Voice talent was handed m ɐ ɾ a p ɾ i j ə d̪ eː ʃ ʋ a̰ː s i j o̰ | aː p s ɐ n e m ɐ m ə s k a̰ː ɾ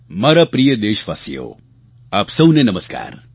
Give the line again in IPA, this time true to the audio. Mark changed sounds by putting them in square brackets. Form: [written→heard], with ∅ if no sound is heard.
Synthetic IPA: m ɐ ɾ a p ɾ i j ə d̪ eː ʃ ʋ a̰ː s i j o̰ | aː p s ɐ n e [m→n] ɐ m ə s k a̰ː ɾ